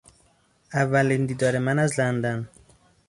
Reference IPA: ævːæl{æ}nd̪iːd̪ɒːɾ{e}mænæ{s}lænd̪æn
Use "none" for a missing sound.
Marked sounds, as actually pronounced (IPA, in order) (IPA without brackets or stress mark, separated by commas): i, e, z